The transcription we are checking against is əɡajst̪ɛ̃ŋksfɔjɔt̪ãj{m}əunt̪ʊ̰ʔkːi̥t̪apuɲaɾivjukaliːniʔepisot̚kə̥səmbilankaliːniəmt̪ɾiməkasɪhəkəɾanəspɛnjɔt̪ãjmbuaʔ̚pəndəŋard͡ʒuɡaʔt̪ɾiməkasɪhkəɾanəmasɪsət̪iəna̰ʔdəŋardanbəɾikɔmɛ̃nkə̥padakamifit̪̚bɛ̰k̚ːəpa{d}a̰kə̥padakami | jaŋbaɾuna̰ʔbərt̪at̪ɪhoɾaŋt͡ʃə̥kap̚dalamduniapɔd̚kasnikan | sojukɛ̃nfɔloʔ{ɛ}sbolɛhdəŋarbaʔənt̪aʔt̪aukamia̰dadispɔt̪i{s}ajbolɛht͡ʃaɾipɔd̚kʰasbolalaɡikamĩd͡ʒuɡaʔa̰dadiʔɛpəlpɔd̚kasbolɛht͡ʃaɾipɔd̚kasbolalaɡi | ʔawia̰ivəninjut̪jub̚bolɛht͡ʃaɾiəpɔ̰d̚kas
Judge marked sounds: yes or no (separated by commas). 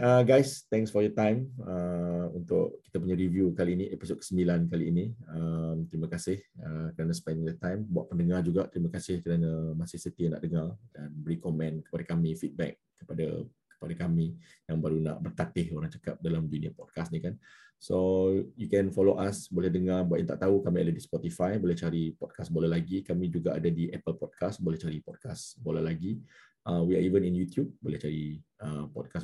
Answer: yes, yes, no, no